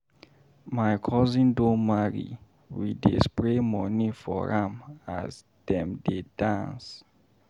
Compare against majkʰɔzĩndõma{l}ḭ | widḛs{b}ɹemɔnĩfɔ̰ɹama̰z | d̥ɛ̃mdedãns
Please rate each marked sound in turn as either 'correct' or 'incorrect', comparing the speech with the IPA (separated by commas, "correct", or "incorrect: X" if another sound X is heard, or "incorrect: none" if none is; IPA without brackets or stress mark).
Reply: incorrect: ɹ, incorrect: p